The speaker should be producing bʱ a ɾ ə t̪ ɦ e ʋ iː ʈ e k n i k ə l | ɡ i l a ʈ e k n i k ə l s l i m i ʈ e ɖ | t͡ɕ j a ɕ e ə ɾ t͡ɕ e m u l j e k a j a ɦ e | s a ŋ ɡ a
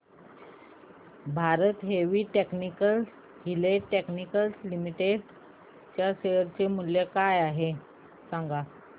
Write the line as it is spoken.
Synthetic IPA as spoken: bʱ a ɾ ə t̪ ɦ e ʋ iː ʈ e k n i k ə l | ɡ i l e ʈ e k n i k ə l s l i m i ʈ e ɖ | t͡ɕ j a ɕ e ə ɾ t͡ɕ e m u l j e k a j a ɦ e | s a ŋ ɡ a